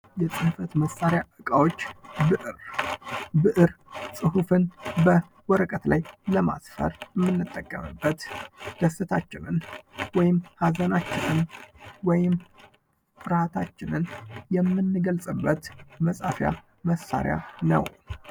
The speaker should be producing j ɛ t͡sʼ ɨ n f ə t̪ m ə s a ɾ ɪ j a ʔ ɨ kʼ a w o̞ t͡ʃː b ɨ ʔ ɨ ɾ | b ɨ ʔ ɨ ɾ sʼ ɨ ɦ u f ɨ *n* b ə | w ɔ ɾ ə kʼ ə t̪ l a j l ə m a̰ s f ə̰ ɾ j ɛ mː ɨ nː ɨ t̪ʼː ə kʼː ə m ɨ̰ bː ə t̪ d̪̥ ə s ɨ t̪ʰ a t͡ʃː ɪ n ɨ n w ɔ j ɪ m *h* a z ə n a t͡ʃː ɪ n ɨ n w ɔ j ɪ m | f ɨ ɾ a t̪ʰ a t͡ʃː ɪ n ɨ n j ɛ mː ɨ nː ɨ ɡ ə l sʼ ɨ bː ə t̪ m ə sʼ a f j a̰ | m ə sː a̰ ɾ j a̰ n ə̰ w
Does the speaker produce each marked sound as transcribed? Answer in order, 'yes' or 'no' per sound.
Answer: yes, yes

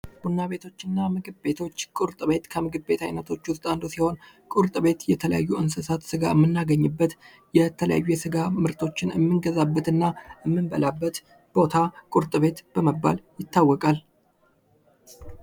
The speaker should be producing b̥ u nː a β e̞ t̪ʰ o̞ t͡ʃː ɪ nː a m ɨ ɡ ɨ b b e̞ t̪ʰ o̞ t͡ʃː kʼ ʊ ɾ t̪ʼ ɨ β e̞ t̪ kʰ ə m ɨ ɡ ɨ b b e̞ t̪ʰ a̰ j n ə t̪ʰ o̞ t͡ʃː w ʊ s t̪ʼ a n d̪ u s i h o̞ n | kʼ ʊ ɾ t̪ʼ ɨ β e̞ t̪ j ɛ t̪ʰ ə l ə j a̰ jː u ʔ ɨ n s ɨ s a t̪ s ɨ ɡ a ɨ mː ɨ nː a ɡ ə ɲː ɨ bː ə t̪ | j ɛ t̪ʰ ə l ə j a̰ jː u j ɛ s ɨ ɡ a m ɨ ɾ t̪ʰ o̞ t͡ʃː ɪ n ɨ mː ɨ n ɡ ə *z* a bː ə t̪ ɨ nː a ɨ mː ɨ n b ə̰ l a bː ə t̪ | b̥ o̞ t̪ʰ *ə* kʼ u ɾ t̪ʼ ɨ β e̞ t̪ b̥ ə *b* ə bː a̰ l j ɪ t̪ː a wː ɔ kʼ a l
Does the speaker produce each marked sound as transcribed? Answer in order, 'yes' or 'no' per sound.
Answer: yes, no, no

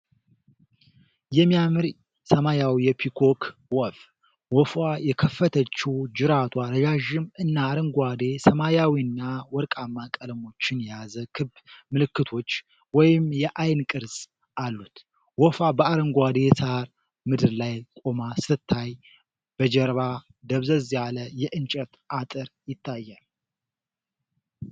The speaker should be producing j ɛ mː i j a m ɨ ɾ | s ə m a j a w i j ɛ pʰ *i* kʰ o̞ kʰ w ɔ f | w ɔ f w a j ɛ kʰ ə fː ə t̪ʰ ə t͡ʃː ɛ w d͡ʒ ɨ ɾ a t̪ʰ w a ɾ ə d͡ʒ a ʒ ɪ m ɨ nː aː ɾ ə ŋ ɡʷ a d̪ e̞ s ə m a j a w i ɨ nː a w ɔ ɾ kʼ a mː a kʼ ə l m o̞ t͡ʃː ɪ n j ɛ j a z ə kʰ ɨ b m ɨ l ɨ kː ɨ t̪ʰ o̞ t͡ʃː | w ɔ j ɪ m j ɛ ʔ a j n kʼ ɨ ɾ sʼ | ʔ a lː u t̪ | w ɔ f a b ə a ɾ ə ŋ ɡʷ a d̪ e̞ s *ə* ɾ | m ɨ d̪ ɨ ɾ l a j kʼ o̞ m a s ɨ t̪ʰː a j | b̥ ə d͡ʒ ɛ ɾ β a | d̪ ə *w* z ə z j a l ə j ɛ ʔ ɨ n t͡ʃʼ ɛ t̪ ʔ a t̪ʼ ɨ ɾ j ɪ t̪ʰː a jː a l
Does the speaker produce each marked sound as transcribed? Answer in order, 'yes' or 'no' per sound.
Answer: yes, no, no

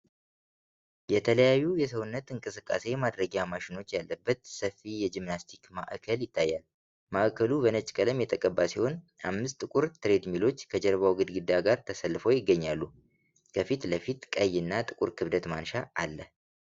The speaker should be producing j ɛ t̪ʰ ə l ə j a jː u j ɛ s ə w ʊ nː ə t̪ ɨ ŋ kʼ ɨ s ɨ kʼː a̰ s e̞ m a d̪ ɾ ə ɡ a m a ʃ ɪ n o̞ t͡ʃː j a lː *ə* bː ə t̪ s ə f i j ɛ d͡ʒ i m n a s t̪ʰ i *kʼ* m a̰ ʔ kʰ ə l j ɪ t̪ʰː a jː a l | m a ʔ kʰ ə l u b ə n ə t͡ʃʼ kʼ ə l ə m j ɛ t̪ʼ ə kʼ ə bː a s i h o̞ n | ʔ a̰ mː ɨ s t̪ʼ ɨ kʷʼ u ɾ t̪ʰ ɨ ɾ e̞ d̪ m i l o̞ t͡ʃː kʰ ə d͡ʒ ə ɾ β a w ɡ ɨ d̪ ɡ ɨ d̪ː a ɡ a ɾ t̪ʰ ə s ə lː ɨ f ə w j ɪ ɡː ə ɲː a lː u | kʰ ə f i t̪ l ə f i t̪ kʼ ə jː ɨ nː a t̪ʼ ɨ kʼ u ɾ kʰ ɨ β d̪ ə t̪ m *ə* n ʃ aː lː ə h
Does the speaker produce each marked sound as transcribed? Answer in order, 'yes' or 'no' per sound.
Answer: yes, no, no

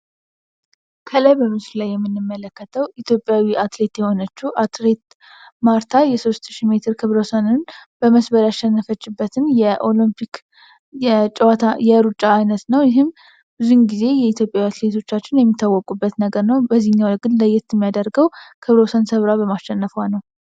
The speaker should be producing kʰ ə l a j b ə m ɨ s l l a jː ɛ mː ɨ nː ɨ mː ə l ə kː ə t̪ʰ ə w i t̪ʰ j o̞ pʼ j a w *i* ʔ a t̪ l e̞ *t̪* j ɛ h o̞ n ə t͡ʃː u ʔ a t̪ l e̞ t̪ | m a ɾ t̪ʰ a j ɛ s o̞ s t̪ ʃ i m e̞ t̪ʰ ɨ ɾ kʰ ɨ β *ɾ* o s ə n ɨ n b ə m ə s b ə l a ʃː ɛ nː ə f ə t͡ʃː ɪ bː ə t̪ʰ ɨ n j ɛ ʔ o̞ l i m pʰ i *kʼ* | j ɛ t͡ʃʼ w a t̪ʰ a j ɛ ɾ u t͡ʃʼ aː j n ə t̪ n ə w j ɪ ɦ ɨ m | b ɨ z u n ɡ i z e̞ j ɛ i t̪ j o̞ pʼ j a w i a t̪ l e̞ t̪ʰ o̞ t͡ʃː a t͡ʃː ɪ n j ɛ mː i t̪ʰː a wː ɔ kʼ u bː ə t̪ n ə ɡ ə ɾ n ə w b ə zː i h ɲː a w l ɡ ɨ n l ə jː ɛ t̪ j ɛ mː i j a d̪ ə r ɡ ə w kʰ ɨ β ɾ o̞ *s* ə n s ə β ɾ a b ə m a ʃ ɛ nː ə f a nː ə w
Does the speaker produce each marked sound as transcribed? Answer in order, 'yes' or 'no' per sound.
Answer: yes, yes, yes, no, yes

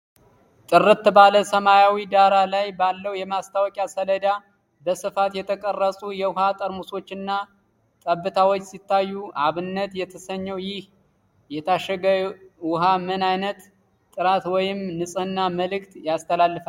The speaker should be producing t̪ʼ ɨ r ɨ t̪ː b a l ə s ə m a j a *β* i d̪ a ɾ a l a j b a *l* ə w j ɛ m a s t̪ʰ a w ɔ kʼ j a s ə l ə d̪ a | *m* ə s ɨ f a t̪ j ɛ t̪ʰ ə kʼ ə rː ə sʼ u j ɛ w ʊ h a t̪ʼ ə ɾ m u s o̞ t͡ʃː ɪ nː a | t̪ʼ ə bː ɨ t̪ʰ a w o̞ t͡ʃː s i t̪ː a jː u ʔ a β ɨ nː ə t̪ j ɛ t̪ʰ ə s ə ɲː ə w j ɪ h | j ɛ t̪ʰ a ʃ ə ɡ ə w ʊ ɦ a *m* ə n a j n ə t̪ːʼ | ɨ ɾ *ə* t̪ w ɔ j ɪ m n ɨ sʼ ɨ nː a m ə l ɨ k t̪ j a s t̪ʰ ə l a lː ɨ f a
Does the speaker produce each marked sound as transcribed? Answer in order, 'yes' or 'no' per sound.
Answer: no, no, no, yes, no

